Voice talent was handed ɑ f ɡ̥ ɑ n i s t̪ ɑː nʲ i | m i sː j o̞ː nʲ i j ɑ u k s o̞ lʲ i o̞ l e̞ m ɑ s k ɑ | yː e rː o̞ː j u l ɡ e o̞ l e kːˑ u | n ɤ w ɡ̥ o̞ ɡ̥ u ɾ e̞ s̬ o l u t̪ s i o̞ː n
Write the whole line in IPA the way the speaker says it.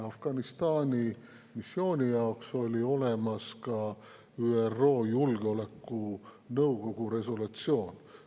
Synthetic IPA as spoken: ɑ f ɡ̥ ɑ n i s t̪ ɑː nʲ i | m i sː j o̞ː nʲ i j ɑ o k s o̞ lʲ i o̞ l e̞ m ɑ s k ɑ | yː e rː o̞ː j u l ɡ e o̞ l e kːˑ u | n ɤ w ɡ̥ o̞ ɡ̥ u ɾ e̞ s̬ o l u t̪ s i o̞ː n